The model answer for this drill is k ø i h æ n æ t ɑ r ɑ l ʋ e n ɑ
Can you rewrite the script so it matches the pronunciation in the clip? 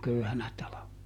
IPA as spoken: k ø y h æ n æ t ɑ l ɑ ʋ e n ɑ